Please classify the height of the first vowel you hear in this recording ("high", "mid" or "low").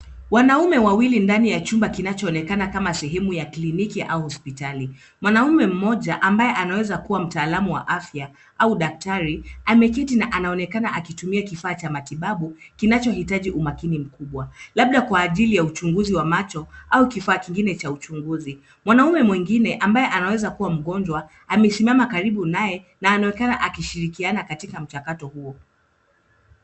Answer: low